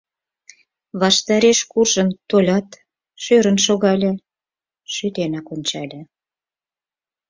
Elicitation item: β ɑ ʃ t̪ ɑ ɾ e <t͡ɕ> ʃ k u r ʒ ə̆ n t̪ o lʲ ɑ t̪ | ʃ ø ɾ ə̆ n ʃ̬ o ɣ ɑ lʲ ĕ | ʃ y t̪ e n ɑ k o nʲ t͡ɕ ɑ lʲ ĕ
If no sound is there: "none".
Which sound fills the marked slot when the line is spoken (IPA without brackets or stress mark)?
none